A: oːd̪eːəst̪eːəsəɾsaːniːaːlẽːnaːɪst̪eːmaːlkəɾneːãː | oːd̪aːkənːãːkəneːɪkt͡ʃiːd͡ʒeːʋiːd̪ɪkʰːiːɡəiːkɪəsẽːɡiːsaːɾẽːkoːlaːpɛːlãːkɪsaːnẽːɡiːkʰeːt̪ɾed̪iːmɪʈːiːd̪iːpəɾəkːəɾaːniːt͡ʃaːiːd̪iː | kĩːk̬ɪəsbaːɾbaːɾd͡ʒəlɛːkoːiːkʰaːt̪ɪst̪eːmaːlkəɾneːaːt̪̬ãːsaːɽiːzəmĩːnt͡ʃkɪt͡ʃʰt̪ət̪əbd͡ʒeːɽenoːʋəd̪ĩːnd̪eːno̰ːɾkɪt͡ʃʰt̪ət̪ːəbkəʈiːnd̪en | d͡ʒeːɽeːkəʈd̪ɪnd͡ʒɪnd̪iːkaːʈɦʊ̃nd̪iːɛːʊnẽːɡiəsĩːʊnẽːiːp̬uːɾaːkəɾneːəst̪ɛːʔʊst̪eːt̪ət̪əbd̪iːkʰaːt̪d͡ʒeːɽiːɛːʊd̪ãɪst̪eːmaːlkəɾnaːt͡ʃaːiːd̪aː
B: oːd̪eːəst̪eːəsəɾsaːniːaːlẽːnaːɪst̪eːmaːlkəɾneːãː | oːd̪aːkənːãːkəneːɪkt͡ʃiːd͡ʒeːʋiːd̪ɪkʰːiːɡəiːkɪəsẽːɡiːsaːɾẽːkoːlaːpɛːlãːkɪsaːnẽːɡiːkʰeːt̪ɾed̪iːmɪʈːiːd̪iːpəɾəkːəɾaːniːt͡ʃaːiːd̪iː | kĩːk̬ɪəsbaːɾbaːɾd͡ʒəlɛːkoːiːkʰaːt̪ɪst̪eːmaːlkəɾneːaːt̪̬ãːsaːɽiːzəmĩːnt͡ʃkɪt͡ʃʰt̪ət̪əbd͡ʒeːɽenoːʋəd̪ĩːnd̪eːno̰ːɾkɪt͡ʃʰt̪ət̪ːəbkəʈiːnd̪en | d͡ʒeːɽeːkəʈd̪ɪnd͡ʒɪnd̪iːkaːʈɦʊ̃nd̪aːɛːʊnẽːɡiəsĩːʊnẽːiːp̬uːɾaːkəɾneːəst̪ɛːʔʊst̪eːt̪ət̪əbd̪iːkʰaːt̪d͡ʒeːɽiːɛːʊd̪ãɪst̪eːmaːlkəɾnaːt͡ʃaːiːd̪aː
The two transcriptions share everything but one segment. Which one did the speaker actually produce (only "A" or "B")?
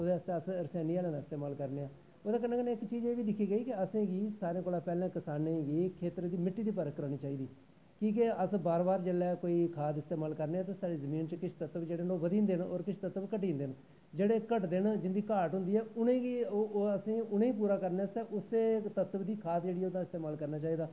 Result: A